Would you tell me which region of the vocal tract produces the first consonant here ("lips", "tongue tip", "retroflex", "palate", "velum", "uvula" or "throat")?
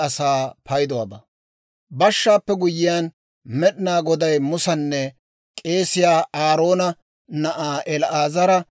tongue tip